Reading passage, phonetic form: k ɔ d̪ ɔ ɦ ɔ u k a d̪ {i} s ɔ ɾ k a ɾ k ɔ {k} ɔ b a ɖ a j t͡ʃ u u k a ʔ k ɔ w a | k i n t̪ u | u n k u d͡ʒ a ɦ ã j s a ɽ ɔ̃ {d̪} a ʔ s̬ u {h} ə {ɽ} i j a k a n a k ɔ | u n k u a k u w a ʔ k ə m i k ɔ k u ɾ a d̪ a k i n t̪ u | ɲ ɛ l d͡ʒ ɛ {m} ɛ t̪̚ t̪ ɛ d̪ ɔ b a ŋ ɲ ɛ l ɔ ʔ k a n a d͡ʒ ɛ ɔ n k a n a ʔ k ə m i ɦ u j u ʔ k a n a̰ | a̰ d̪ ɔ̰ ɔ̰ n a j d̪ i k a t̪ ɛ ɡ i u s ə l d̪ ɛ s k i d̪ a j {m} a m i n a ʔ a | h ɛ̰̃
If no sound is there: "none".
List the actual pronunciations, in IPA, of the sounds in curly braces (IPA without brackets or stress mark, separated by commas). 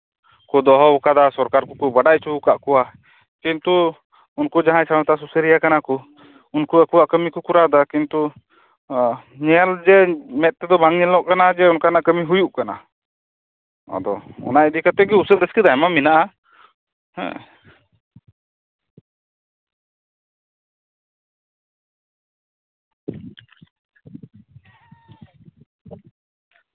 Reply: a, k, t̪, s, ɾ, m, m